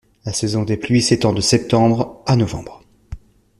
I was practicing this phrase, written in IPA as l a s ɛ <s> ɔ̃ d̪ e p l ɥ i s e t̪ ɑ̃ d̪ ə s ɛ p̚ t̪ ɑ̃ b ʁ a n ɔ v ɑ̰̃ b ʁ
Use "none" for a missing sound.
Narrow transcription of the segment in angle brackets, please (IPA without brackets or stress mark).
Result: z